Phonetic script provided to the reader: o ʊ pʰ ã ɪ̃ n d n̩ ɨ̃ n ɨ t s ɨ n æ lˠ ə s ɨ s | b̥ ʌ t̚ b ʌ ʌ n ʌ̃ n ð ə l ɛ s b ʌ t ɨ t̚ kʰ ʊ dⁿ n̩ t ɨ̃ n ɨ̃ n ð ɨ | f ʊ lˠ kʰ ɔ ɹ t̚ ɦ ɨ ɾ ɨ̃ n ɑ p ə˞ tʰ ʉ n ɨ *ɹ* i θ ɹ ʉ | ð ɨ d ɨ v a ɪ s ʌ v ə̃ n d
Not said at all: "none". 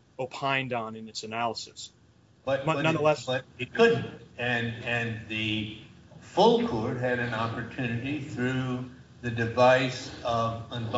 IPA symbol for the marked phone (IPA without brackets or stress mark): ɾ